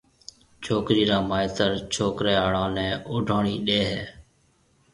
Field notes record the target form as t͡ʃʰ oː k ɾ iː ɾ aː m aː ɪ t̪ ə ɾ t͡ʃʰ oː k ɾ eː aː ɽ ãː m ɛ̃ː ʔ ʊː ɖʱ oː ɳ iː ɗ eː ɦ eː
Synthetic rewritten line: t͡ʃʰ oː k ɾ iː ɾ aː m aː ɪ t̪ ə ɾ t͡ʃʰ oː k ɾ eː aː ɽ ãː n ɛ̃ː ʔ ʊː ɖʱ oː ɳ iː ɗ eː ɦ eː